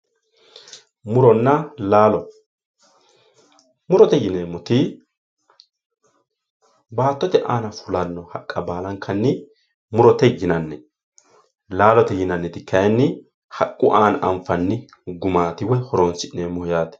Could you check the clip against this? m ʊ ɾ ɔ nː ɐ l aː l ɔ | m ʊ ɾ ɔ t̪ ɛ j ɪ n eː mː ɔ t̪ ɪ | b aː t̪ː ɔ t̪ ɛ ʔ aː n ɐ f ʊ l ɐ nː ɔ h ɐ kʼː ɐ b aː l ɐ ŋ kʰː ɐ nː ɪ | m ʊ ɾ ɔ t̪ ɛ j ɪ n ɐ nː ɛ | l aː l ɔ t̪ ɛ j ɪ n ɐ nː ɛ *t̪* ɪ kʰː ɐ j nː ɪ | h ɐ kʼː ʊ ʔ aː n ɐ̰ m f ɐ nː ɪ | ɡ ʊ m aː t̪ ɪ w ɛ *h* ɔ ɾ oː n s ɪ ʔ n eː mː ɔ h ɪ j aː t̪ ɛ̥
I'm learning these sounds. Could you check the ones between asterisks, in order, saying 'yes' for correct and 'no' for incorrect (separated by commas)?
yes, yes